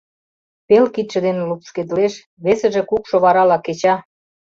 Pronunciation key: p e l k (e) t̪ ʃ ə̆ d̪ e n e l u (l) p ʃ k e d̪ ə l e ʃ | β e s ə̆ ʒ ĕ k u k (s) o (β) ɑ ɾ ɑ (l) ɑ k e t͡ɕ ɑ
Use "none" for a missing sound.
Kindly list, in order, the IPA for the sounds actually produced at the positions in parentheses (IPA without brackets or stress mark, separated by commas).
i, none, ʃ, β, l